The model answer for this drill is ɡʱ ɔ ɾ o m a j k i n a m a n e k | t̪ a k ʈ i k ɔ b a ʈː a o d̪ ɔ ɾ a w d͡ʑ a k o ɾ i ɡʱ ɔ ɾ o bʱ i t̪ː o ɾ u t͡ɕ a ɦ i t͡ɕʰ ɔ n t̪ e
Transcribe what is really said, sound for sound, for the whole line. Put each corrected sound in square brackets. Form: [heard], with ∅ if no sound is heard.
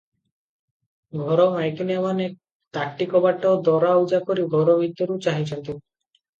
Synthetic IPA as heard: ɡʱ ɔ ɾ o m a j k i n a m a n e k | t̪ a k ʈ i k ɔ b a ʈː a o d̪ ɔ ɾ a [u] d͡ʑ a k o ɾ i ɡʱ ɔ ɾ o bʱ i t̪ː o ɾ u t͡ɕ a ɦ i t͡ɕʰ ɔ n t̪ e